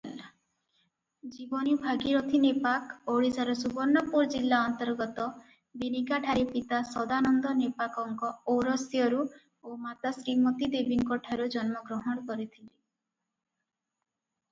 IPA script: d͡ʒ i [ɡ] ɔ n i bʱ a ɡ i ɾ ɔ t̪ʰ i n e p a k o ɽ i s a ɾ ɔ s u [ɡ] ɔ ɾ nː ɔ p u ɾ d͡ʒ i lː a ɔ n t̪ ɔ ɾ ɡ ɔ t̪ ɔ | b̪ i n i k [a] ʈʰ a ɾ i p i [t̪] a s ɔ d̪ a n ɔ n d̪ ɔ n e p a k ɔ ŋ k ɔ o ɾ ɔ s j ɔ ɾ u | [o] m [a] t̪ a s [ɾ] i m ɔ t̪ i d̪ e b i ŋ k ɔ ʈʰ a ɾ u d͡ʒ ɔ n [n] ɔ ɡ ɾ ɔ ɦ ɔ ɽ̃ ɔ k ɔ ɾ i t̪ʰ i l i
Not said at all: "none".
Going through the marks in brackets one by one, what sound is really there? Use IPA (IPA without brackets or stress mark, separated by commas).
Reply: b, b, a, t̪, o, a, ɾ, m